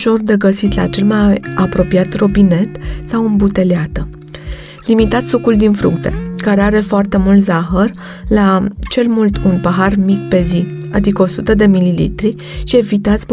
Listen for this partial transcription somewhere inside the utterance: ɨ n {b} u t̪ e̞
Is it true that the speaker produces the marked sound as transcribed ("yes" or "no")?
yes